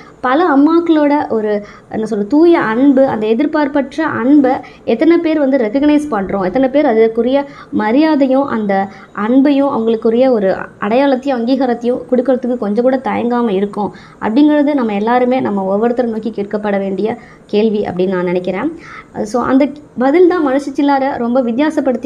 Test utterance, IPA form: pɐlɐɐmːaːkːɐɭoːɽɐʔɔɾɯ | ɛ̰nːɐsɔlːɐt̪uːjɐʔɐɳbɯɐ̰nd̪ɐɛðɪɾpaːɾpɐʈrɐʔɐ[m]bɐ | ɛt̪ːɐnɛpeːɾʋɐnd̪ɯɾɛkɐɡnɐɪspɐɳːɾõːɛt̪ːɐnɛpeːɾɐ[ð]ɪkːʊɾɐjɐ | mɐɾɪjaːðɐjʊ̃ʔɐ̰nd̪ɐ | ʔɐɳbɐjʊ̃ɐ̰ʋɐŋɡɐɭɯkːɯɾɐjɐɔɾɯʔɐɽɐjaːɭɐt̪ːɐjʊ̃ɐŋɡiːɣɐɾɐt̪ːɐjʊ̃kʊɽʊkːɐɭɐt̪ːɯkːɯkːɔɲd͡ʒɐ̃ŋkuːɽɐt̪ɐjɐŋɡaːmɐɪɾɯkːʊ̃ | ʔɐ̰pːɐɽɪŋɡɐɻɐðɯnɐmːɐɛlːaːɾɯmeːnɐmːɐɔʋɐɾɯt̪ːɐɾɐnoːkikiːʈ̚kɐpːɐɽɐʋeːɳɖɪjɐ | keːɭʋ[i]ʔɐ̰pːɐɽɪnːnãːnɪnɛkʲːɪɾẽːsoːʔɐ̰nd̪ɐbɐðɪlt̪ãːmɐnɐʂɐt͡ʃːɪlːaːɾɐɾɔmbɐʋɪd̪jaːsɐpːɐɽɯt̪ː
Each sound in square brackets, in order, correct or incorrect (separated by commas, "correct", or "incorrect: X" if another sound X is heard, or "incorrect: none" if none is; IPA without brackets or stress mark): incorrect: ɳ, correct, correct